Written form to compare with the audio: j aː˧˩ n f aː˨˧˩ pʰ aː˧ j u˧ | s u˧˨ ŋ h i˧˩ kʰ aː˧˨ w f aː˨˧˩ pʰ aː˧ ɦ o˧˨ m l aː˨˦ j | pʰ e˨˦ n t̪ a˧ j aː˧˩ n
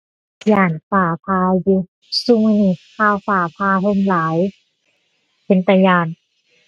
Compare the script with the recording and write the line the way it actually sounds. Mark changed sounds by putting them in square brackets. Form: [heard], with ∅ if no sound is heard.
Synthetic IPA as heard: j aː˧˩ n f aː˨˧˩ pʰ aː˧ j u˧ | s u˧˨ ŋ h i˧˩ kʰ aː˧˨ w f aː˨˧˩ pʰ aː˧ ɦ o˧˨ m l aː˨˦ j | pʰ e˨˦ n t̪ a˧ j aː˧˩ n